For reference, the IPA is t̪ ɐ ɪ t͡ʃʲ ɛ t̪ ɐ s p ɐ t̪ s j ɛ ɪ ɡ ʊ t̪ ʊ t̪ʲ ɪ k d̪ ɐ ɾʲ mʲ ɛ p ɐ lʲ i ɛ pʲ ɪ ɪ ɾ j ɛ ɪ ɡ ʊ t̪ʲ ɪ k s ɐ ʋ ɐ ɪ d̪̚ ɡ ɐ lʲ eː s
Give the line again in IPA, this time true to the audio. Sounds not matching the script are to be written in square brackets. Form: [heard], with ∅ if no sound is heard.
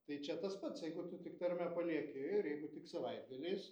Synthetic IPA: t̪ ɐ ɪ t͡ʃʲ ɛ t̪ ɐ s p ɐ t̪ s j ɛ ɪ ɡ ʊ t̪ ʊ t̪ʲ ɪ k [t̪] ɐ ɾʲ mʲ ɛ p ɐ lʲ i ɛ [kʲ] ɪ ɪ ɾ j ɛ ɪ ɡ ʊ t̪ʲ ɪ k s ɐ ʋ ɐ ɪ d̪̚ ɡ ɐ lʲ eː s